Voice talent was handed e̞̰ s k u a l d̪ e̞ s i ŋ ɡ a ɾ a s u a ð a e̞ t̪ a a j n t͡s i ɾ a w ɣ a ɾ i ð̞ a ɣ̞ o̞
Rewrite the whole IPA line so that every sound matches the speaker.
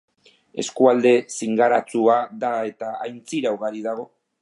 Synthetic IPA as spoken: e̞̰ s k u a l d̪ e̞ s i ŋ ɡ a ɾ a t͡s u a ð a e̞ t̪ a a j n t͡s i ɾ a w ɣ a ɾ i ð̞ a ɣ̞ o̞